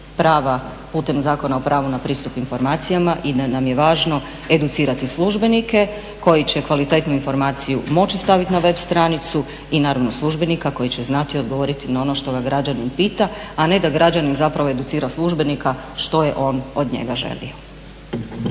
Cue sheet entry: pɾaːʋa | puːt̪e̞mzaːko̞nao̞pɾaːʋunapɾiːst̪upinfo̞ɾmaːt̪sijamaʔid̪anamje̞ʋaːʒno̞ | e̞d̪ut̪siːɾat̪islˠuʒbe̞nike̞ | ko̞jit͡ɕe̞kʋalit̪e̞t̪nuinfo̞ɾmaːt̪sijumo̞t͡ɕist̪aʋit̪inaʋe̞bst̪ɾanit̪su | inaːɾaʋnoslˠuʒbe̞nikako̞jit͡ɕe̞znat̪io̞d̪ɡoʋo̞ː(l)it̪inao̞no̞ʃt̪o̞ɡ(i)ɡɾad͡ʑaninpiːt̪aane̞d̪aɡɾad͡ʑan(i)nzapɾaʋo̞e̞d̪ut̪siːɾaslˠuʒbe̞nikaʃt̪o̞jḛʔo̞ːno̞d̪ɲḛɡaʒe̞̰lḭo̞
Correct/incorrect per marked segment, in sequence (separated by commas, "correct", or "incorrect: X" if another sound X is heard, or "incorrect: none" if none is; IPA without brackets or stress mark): incorrect: ɾ, incorrect: a, correct